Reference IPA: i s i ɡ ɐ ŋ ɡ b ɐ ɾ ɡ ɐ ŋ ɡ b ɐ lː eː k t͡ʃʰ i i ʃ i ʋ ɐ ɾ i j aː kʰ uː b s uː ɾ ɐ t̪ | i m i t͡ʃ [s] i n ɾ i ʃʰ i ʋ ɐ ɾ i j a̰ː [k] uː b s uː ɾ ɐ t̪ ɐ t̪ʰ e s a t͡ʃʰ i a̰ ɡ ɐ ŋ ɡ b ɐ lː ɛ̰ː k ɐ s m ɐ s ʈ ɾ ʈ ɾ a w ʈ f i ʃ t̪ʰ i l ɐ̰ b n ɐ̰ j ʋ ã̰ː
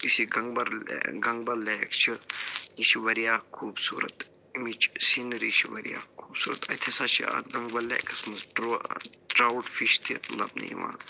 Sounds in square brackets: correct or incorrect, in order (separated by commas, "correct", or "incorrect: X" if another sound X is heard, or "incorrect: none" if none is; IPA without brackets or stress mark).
correct, incorrect: kʰ